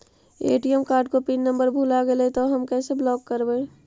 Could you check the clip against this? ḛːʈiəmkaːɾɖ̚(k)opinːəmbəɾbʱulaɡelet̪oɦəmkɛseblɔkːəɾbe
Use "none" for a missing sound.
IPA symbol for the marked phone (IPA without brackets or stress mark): k